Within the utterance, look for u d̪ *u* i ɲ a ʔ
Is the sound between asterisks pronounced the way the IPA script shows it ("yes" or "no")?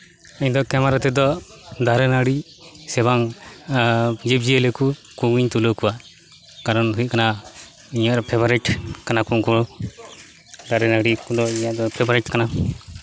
no